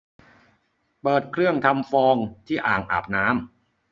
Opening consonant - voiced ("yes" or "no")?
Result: no